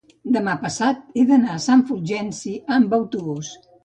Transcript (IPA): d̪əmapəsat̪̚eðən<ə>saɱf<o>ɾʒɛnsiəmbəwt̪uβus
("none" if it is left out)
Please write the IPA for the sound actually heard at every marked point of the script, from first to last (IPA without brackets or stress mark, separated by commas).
a, u